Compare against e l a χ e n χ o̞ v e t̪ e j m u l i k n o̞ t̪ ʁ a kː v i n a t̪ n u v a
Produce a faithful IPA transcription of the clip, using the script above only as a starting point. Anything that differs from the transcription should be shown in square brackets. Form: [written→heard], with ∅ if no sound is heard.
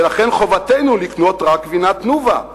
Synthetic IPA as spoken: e l a χ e n χ o̞ v [e→a] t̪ e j [m→n] u l i k n o̞ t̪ ʁ a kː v i n a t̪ n u v a